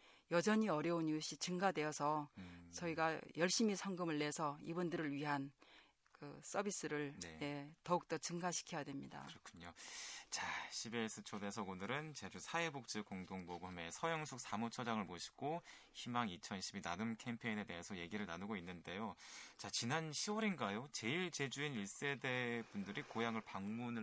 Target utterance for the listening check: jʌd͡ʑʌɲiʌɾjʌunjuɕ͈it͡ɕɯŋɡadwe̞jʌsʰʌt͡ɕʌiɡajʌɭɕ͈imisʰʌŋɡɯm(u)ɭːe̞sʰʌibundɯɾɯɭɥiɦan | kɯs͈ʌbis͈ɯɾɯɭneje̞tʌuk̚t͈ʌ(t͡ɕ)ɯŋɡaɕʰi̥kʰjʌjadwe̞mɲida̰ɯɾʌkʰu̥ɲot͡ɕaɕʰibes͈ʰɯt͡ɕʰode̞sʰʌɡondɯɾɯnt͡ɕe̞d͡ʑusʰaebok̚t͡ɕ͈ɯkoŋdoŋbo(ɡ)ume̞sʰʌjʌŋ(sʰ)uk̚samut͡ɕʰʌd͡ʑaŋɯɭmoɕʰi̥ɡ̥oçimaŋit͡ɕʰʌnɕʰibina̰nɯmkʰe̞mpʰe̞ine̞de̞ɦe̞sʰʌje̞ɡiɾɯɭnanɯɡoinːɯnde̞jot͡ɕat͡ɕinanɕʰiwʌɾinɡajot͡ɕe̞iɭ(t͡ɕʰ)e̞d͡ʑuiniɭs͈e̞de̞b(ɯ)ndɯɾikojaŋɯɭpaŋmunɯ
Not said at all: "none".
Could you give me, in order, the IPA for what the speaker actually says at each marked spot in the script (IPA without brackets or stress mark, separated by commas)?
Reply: ɯ, t͡ɕ, ɡ, sʰ, t͡ɕ, u